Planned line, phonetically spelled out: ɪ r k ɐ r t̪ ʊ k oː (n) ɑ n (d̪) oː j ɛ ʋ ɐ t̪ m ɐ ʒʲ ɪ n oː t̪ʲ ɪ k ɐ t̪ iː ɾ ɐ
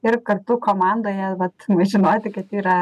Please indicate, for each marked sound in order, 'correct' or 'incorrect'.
incorrect, correct

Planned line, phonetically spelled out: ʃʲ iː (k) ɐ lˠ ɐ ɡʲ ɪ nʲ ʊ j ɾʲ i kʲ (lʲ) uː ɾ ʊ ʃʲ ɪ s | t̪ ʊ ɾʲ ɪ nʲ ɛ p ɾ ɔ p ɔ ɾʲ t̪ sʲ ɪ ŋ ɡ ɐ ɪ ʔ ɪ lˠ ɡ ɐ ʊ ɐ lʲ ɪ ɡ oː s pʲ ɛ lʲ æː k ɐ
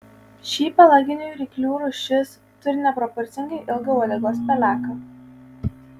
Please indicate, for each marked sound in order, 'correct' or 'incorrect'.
incorrect, correct

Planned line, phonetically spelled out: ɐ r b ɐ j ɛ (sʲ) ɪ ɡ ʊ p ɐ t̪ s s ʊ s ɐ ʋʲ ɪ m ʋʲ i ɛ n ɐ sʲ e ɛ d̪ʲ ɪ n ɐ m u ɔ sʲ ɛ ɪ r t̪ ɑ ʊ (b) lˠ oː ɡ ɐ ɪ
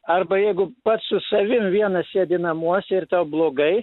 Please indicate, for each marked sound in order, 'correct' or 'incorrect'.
incorrect, correct

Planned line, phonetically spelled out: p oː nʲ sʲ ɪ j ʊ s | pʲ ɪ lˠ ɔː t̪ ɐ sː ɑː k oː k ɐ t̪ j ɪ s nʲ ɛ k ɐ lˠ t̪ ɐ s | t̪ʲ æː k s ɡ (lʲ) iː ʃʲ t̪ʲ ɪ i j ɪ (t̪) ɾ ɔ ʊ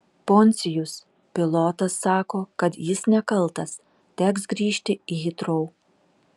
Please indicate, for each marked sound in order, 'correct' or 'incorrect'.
incorrect, correct

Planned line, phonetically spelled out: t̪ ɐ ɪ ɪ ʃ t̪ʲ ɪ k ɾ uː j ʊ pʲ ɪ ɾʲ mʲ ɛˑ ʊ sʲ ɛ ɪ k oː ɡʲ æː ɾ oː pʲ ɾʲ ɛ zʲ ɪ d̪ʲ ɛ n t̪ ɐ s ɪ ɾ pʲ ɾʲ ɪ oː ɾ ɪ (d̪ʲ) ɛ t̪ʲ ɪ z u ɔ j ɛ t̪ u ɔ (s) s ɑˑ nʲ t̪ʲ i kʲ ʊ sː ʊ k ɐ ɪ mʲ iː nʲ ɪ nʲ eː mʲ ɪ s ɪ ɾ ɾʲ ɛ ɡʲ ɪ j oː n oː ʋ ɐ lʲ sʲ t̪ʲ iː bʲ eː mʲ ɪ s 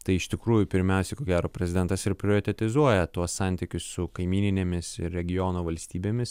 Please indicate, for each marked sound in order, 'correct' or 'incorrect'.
incorrect, correct

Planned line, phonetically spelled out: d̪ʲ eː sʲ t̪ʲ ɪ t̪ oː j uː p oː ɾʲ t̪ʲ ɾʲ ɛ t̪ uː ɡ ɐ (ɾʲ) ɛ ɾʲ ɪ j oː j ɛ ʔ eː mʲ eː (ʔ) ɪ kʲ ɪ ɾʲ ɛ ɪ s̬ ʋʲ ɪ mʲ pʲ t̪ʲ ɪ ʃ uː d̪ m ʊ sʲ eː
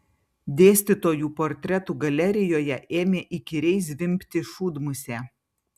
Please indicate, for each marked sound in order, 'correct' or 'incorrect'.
incorrect, correct

